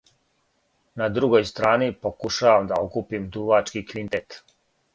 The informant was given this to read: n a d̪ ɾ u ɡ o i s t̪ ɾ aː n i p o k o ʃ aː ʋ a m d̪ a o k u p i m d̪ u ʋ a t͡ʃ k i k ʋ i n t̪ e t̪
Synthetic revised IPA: n a d̪ ɾ u ɡ o j s t̪ ɾ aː n i p o k u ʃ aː ʋ a m d̪ a o k u p i m d̪ u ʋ a t͡ʃ k i k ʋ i n t̪ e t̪